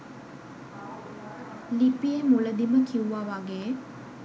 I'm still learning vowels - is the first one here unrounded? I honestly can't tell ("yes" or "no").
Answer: yes